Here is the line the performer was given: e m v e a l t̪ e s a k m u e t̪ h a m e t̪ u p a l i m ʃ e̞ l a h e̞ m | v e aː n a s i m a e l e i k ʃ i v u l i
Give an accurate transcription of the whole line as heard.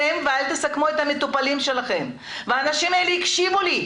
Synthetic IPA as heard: e m v e a l t̪ e s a k m u e t̪ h a m e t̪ u p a l i m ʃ e̞ l a χ e̞ m | v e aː n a ʃ i m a e l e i k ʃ i v u l i